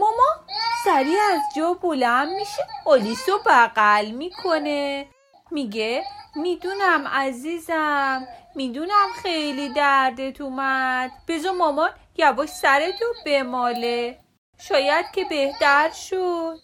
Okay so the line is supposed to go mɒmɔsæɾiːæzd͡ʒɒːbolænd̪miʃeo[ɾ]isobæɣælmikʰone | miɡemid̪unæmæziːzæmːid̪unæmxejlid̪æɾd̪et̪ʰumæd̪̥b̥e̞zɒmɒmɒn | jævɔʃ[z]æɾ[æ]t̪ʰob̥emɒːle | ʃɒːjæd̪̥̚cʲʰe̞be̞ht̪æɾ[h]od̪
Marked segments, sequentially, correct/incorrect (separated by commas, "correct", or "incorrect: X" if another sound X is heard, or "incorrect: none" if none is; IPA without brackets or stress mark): incorrect: l, incorrect: s, incorrect: e, incorrect: ʃ